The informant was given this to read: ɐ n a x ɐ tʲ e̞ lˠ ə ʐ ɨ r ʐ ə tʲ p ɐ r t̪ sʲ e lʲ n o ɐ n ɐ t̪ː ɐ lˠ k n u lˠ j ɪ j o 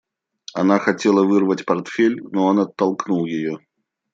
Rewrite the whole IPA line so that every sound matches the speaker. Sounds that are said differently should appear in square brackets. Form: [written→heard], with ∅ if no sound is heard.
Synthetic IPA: ɐ n a x ɐ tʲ e̞ lˠ ə [ʐ→v] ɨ r [ʐ→v] ə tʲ p ɐ r t̪ [sʲ→fʲ] e lʲ n o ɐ n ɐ t̪ː ɐ lˠ k n u lˠ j ɪ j o